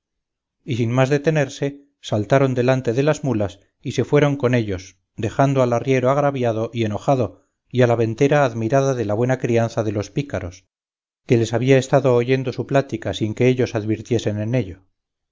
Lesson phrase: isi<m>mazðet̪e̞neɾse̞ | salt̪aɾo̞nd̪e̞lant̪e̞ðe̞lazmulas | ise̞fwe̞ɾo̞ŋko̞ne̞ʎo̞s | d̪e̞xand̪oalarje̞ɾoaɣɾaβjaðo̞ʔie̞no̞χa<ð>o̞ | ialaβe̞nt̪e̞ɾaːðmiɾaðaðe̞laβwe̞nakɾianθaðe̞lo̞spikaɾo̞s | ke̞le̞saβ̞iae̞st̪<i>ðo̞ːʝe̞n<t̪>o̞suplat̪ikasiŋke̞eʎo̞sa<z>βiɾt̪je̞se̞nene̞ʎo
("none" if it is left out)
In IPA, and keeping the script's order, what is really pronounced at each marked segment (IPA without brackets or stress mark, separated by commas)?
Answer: n, ð, a, d̪, ð